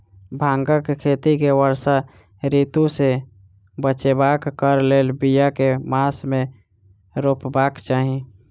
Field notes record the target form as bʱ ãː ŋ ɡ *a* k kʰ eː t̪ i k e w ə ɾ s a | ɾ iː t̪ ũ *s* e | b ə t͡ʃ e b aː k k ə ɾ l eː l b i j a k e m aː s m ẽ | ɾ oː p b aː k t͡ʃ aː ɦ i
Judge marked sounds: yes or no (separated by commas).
no, yes